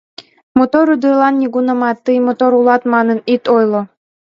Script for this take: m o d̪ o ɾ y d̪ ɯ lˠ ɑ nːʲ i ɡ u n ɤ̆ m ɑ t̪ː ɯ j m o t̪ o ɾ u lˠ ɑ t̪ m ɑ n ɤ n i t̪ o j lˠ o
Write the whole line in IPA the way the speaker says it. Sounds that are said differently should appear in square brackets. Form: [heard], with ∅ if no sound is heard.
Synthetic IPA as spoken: m o [t̪] o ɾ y d̪ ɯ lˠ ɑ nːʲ i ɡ u n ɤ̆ m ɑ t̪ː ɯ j m o t̪ o ɾ u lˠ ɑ t̪ m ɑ n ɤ n i t̪ o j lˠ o